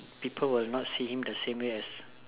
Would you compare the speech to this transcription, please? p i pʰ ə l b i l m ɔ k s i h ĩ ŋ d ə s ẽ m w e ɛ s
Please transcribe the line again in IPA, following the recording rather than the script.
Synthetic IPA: p i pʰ ə l w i l n ɔ t s i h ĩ m d ə s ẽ m w e ɛ s